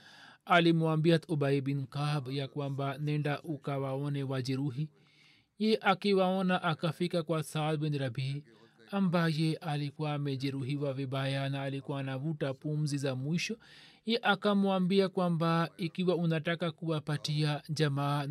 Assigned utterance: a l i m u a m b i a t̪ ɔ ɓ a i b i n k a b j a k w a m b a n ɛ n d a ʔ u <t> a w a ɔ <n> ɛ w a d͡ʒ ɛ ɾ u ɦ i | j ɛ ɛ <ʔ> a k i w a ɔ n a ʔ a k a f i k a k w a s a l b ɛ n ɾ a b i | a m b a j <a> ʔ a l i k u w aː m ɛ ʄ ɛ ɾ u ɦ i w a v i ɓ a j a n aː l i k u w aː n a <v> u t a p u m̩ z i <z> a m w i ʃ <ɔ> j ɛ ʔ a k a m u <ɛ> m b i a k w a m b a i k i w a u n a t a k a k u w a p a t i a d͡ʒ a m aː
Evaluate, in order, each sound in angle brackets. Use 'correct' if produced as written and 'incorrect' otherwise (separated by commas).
incorrect, correct, correct, incorrect, correct, correct, correct, incorrect